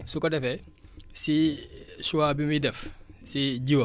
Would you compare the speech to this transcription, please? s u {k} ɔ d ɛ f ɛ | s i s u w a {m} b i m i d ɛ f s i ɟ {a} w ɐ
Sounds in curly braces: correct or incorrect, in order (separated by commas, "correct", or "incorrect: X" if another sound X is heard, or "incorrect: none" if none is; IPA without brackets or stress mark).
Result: correct, incorrect: none, incorrect: i